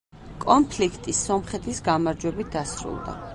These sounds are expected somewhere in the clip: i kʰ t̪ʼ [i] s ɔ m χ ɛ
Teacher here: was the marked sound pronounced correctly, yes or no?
yes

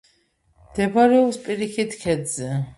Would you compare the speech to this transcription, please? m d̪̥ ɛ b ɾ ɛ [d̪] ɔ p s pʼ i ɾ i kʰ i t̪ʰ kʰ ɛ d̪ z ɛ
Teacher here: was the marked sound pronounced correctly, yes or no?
no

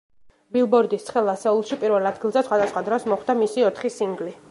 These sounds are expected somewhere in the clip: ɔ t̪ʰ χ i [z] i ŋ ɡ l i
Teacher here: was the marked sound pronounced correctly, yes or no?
no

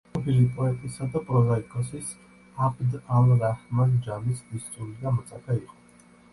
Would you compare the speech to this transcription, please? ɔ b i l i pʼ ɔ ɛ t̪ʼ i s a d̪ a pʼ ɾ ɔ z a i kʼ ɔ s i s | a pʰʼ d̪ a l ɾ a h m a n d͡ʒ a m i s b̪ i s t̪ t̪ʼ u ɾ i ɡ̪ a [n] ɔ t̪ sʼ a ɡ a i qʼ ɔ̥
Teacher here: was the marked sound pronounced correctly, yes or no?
no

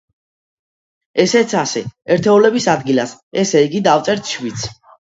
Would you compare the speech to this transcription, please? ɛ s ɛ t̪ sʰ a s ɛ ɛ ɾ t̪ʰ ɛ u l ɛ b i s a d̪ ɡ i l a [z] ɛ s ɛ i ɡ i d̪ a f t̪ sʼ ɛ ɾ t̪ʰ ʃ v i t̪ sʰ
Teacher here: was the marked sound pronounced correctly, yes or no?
no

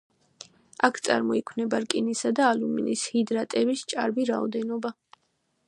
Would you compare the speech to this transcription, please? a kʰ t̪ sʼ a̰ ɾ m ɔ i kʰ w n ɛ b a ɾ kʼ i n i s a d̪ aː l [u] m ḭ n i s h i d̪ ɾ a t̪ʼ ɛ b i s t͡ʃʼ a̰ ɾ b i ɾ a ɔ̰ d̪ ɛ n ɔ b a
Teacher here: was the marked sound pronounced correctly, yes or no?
yes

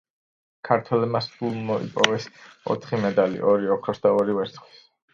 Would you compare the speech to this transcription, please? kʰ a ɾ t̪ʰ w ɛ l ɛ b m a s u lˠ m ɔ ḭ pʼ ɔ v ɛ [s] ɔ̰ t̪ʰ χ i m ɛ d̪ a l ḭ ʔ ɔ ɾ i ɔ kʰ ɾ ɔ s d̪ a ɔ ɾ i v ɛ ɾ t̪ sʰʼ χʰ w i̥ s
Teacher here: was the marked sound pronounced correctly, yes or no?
yes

